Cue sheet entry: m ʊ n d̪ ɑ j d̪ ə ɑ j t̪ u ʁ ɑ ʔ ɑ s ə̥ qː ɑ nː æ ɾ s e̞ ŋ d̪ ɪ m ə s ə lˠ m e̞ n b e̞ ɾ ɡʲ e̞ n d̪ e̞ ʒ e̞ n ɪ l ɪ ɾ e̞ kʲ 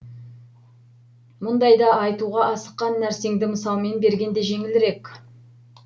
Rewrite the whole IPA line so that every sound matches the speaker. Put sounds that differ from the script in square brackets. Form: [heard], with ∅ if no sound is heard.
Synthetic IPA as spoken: m ʊ n d̪ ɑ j d̪ [ɑ] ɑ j t̪ u ʁ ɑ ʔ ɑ s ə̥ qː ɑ nː æ ɾ s e̞ ŋ d̪ ɪ m ə s [ɑ] lˠ m e̞ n b e̞ ɾ ɡʲ e̞ n d̪ e̞ ʒ e̞ [ŋ] ɪ l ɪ ɾ e̞ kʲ